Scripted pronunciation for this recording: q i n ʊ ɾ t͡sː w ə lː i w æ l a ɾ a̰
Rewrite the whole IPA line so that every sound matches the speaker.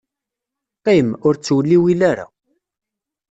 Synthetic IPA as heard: q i m ʊ ɾ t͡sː w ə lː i w i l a ɾ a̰